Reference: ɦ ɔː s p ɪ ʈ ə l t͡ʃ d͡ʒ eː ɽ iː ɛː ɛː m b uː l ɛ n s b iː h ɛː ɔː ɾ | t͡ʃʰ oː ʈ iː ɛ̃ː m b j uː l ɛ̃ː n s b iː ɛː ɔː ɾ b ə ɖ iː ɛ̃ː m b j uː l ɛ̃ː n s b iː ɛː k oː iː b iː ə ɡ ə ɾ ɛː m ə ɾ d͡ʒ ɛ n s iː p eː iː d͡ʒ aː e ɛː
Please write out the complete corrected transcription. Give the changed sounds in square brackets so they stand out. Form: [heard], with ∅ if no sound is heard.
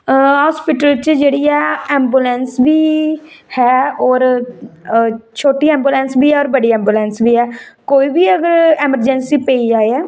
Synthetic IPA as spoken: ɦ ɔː s p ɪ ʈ ə l t͡ʃ d͡ʒ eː ɽ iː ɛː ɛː m b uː l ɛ n s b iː h ɛː ɔː ɾ | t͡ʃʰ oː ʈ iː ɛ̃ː m b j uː l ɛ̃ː n s b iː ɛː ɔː ɾ b ə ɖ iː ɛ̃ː m b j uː l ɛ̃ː n s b iː ɛː k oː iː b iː ə ɡ ə ɾ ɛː m ə ɾ d͡ʒ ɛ n s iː p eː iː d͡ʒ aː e ɛː